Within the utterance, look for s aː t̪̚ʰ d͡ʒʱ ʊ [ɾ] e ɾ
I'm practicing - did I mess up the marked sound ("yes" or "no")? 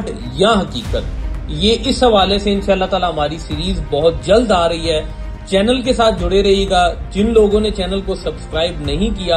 yes